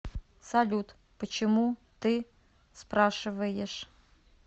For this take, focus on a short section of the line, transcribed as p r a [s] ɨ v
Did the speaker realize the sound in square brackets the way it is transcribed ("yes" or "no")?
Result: no